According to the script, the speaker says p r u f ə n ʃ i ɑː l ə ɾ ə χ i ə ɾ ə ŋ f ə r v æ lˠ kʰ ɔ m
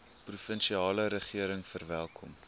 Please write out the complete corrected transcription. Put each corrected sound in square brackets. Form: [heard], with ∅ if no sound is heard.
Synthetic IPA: p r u f ə n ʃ i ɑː l ə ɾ ə χ i ə ɾ ə ŋ f ə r v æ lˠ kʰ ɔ m